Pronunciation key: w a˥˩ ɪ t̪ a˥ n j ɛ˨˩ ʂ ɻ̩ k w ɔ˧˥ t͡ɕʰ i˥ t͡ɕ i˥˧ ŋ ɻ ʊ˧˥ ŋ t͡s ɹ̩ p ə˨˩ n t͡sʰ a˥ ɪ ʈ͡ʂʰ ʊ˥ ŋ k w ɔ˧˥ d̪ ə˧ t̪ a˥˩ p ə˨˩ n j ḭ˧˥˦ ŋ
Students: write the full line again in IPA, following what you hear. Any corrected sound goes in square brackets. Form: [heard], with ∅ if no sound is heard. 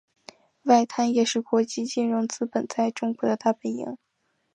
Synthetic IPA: w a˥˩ ɪ [t̪ʰ] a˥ n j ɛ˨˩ ʂ ɻ̩ k w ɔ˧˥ [t͡ɕ] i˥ t͡ɕ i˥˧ [n] ɻ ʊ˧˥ ŋ t͡s ɹ̩ p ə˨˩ n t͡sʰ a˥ ɪ [ʈ͡ʂ] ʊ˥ ŋ k w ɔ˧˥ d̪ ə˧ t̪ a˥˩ p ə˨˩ n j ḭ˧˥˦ ŋ